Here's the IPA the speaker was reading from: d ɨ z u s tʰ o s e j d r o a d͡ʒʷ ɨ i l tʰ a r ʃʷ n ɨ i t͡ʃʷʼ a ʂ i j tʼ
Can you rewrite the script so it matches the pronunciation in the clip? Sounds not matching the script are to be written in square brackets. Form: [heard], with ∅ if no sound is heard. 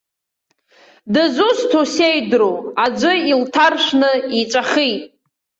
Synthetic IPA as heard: d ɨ z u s tʰ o s e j d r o a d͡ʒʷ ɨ i l tʰ a r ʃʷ n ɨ i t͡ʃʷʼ a [χ] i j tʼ